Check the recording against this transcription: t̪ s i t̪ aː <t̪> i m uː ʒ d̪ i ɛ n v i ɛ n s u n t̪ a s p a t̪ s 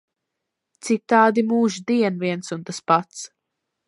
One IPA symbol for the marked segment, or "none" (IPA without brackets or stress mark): d̪